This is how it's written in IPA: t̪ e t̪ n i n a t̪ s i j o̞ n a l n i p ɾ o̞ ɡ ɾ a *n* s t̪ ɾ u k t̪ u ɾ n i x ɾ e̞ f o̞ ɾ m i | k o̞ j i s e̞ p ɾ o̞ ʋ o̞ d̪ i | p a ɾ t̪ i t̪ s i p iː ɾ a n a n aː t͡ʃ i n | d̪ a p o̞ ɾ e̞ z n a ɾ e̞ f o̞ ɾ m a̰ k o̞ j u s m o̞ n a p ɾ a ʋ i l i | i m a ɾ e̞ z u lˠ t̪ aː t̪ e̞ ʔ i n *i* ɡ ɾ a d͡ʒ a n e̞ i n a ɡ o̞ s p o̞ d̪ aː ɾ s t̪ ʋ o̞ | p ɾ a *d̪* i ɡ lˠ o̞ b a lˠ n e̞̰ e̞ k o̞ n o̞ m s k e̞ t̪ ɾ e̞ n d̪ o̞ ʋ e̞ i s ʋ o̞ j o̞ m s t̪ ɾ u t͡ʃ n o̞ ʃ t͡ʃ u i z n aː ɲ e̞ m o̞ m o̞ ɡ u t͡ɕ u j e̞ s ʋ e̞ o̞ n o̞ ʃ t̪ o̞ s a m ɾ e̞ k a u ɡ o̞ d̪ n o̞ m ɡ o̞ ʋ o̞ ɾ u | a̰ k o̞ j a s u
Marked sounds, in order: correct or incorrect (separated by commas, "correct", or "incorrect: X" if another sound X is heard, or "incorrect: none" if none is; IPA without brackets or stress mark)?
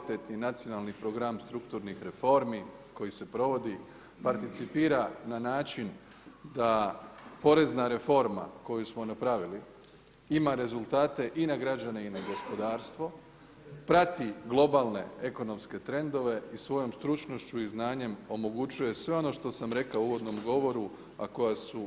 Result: incorrect: m, incorrect: a, incorrect: t̪